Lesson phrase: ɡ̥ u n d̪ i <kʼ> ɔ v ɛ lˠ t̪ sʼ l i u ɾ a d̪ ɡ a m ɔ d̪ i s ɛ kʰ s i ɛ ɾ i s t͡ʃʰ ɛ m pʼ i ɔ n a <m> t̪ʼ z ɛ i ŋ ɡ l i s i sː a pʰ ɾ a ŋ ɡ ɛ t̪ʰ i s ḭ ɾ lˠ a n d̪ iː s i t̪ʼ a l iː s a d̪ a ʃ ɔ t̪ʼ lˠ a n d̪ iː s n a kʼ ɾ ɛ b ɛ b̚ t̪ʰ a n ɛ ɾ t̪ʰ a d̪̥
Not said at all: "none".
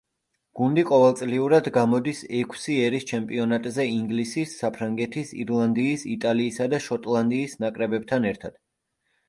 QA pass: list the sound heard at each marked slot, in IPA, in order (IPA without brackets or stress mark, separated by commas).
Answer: qʼ, none